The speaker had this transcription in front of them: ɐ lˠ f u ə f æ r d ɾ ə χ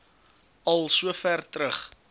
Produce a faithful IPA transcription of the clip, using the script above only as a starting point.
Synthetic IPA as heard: ɐ lˠ s u ə f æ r t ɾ ə χ